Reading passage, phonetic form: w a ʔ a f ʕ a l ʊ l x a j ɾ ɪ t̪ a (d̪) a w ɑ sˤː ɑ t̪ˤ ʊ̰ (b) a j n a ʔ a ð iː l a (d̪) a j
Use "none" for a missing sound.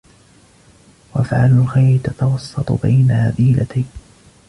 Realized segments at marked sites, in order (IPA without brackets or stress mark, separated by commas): t̪, b, t̪